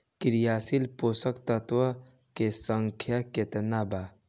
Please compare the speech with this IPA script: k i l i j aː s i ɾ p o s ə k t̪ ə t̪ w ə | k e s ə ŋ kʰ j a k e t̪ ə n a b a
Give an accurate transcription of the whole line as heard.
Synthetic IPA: k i ɾ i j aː s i l p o s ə k t̪ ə t̪ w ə | k e s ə ŋ kʰ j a k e t̪ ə n a b a